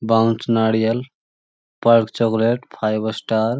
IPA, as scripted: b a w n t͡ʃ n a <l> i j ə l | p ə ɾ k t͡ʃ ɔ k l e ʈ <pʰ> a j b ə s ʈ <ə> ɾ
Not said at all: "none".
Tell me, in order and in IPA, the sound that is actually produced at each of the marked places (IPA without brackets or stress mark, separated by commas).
ɽ, pʰ, a